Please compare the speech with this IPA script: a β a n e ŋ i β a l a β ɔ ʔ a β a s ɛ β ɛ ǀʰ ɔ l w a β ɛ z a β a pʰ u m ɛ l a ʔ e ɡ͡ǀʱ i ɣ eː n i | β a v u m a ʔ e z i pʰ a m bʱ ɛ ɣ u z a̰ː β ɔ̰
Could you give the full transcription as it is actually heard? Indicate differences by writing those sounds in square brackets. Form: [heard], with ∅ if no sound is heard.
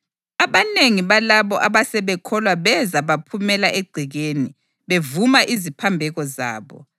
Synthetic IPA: a β a n e ŋ i β a l a β ɔ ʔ a β a s ɛ β ɛ [kʰ] ɔ l w a β ɛ z a β a pʰ u m ɛ l a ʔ e ɡ͡ǀʱ i ɣ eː n i | β [e] v u m a ʔ [i] z i pʰ a m bʱ ɛ ɣ [ɔ] z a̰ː β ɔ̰